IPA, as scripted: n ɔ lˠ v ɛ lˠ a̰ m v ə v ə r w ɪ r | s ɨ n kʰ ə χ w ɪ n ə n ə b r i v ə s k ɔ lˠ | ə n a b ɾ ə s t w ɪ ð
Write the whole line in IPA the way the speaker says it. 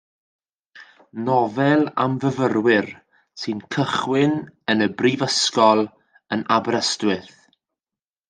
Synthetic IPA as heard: n ɔ v ɛ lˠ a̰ m v ə v ə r w ɪ r | s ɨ n kʰ ə χ w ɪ n ə n ə b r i v ə s k ɔ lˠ | ə n a b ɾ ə s t w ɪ θ